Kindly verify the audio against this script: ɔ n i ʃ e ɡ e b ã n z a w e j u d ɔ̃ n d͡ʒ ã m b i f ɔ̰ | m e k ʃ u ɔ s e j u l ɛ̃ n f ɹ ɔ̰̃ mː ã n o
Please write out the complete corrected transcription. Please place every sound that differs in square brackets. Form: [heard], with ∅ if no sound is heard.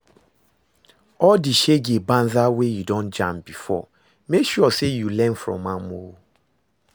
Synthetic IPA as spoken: ɔ [d] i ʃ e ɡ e b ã n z a w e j u d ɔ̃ n d͡ʒ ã m b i f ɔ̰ | m e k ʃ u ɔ s e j u l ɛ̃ n f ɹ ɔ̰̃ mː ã [m] o